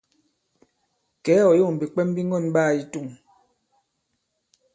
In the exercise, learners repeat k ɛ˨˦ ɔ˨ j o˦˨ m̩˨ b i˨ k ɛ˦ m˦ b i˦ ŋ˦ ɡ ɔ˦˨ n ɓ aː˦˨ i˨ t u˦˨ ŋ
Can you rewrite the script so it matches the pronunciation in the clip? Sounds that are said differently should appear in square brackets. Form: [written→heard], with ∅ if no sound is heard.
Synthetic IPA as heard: k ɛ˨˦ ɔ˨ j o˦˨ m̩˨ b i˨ [k→k͡p] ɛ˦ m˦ b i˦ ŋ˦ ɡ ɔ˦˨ n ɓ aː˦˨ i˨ t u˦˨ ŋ